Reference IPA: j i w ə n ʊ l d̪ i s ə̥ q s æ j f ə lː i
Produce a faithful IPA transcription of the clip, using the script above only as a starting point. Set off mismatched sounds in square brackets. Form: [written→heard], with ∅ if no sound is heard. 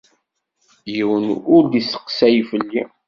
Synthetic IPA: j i w ə n ʊ [l→ɾ] d̪ i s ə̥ q s æ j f ə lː i

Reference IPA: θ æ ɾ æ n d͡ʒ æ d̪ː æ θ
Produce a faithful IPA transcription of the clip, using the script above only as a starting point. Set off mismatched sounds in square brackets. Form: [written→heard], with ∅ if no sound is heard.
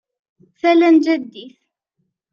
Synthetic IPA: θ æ [ɾ→l] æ n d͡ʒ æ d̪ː [æ→i] θ

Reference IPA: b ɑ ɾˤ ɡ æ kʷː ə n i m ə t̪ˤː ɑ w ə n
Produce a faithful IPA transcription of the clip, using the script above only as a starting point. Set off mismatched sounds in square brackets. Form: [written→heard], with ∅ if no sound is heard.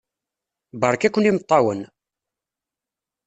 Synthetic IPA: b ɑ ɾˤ [ɡ→k] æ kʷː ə n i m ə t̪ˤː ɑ w ə n

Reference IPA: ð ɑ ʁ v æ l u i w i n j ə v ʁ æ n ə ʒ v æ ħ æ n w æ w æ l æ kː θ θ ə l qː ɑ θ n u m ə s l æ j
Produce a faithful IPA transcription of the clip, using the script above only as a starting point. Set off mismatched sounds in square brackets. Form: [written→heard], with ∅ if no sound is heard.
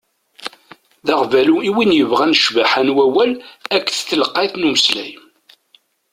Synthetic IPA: ð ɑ ʁ v æ l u i w i n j ə v ʁ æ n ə [ʒ→ʃ] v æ ħ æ n w æ w æ l æ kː θ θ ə l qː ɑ θ n u m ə s l æ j

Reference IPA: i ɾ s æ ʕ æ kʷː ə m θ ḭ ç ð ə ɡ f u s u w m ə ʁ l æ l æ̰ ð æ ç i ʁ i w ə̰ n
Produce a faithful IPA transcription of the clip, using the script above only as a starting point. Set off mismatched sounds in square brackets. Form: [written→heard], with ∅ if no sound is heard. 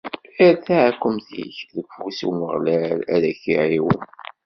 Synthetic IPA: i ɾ [s→θ] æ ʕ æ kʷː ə m θ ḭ ç ð ə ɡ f u s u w m ə ʁ l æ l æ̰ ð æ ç i [ʁ→ʕ] i w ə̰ n

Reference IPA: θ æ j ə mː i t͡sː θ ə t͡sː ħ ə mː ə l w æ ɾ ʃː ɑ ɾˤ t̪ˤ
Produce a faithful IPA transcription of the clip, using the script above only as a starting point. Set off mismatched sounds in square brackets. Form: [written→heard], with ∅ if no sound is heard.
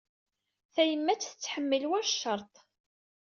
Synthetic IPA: θ æ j ə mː [i→æ] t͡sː θ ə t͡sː ħ ə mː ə l w æ ɾ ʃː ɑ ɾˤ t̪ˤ

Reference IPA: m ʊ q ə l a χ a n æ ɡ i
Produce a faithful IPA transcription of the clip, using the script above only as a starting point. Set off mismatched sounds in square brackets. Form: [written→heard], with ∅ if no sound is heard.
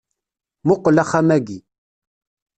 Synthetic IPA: m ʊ q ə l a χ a [n→m] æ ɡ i

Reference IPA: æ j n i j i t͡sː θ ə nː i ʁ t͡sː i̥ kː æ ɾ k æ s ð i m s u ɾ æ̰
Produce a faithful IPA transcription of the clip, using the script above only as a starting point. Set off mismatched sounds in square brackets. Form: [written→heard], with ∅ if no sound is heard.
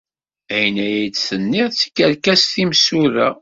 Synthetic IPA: æ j n [i→æ] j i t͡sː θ ə nː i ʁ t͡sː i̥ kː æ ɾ k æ s [ð→θ] i m s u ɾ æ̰

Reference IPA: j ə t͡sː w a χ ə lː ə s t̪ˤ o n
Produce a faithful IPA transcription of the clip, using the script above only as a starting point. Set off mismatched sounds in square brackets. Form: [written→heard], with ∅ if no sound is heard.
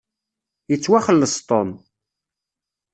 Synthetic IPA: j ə t͡sː w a χ ə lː ə s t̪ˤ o n

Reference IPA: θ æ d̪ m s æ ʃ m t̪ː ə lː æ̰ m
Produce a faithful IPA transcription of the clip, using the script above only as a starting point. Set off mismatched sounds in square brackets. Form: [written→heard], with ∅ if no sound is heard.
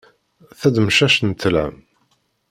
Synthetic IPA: θ æ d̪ m [s→ʃ] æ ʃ [m→n] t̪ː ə [lː→l] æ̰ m

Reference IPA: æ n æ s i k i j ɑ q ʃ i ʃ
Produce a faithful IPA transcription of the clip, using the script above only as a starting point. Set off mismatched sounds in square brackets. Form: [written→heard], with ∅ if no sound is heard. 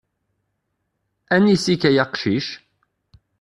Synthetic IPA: æ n [æ→i] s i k [i→æ] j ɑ q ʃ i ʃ

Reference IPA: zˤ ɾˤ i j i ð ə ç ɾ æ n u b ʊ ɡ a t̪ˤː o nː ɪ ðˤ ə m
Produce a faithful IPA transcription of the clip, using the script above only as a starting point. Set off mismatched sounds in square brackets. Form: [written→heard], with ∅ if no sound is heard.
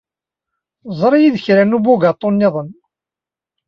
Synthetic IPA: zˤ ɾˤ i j i ð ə ç ɾ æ n u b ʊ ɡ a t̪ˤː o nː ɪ ðˤ ə [m→n]

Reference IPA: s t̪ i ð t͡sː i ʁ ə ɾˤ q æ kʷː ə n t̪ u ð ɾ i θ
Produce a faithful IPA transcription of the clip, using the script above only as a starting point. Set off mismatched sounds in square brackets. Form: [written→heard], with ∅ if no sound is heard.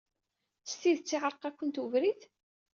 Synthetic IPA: s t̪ i ð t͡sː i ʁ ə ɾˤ q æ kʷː ə n t̪ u [ð→v] ɾ i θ

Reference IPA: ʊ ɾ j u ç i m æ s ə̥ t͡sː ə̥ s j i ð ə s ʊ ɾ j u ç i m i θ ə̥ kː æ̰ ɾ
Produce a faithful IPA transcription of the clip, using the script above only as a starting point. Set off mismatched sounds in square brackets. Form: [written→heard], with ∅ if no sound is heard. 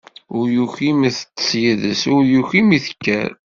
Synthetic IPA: ʊ ɾ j u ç i m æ [s→θ] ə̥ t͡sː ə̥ s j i ð ə s ʊ ɾ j u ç i m i θ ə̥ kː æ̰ ɾ

